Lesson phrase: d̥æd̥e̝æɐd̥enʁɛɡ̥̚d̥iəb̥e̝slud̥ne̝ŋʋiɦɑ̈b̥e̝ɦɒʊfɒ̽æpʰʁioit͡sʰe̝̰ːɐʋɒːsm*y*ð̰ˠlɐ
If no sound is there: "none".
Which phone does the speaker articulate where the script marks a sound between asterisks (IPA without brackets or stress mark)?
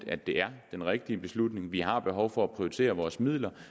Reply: i